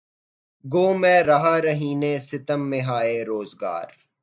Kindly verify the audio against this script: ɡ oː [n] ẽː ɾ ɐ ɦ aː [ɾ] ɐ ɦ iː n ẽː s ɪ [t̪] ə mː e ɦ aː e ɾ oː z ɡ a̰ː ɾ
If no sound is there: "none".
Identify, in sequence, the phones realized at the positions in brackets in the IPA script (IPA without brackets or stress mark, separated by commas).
m, ɾ, t̪